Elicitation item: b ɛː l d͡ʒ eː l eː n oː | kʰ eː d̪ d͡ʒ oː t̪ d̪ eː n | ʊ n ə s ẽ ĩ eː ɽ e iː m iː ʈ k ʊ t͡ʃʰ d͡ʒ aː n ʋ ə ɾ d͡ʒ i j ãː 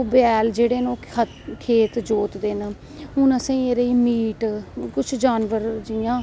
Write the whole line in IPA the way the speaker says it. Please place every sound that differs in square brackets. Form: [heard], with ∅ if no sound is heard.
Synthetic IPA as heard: b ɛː l d͡ʒ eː [ɽ] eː n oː | kʰ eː [t̪] d͡ʒ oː t̪ d̪ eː n | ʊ n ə s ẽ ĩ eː [ɾ] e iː m iː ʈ k ʊ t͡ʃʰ d͡ʒ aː n ʋ ə ɾ d͡ʒ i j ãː